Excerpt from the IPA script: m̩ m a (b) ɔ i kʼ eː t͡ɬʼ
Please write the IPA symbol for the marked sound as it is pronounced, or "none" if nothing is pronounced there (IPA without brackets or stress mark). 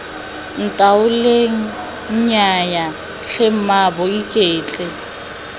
b